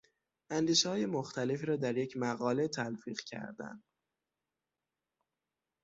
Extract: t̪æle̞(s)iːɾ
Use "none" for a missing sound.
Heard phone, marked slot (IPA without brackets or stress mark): f